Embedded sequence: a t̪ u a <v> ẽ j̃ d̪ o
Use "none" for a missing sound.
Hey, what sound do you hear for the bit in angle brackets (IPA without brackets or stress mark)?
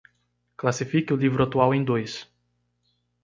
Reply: w